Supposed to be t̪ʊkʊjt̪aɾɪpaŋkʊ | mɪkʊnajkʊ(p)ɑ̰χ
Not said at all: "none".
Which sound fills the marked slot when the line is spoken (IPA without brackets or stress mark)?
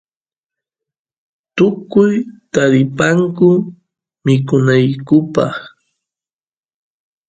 p